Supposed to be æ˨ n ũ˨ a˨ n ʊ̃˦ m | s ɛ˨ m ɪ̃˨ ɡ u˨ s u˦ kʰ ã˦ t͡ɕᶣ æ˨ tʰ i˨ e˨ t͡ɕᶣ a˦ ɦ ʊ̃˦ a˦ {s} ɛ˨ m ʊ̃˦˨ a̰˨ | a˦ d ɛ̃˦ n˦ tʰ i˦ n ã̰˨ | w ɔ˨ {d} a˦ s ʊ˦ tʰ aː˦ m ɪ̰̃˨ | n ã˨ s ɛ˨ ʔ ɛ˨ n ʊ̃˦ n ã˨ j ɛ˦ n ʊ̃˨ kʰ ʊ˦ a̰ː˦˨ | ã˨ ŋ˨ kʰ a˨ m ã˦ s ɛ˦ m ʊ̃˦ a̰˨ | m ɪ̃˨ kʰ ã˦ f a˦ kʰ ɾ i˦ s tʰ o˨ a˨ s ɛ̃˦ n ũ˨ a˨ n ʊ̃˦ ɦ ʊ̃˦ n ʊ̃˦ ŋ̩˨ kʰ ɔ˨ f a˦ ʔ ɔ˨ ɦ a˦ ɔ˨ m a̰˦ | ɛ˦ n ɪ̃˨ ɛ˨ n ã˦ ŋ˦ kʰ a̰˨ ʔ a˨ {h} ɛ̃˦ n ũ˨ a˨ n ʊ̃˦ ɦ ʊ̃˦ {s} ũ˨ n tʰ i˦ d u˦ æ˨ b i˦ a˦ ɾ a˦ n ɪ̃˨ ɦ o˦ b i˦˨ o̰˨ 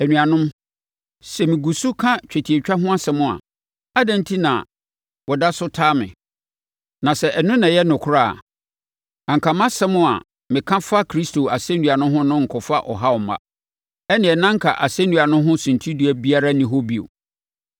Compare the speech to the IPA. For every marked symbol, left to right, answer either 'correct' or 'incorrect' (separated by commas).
correct, correct, incorrect, correct